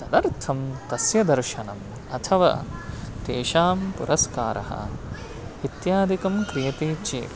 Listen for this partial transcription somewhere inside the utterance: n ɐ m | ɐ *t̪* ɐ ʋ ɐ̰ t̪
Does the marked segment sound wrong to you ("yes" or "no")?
yes